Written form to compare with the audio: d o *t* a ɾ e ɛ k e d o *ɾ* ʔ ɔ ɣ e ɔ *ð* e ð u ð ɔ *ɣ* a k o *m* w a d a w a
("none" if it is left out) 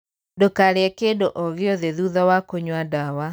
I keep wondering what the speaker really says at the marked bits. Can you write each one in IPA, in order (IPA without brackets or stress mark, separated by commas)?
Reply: k, none, ð, w, ɲ